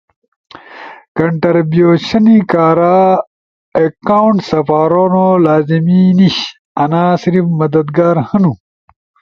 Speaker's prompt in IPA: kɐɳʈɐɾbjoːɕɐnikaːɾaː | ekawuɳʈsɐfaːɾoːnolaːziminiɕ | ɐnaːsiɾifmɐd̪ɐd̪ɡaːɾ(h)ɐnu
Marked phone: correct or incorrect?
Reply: correct